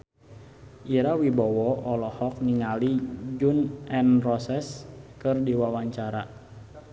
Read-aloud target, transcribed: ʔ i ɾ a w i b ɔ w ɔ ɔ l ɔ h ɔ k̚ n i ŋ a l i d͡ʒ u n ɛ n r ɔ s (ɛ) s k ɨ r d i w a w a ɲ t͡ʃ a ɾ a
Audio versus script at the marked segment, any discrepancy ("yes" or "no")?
no